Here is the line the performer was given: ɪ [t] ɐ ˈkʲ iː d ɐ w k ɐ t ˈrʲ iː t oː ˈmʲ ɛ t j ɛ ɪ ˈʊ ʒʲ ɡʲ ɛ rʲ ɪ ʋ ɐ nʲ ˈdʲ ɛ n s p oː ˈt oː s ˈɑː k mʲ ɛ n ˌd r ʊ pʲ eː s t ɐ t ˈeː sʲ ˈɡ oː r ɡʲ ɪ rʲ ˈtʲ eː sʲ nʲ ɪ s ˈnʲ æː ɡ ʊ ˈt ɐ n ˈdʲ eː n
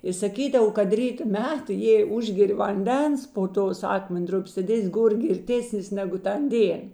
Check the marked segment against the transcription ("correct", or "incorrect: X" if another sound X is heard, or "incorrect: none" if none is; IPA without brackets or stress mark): incorrect: s